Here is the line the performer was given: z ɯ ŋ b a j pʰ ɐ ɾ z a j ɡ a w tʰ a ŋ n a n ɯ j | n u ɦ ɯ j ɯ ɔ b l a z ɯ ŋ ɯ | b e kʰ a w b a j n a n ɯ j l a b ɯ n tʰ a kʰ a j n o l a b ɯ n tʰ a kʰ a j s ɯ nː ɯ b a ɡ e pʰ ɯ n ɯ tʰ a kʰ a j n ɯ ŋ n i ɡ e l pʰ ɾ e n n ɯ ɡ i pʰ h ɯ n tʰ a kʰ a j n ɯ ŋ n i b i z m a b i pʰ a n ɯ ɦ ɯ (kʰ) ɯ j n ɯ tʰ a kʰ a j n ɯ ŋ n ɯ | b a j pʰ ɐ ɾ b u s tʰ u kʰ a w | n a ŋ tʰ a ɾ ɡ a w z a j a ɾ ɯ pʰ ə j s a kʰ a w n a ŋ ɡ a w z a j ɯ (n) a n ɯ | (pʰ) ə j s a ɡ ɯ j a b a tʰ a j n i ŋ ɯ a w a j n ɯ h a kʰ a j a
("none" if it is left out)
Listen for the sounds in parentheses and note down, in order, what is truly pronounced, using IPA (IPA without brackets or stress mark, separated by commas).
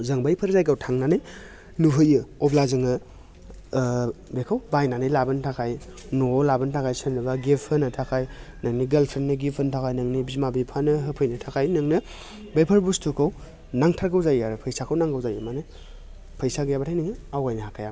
pʰ, m, pʰ